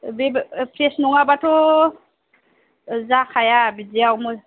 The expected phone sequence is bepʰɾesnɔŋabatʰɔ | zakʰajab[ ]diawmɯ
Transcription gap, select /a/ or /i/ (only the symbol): i